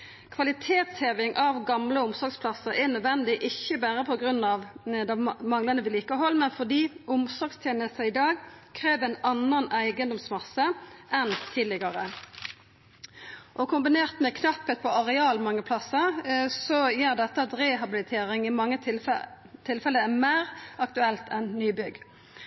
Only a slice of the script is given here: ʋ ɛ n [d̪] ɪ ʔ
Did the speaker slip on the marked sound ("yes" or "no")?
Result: no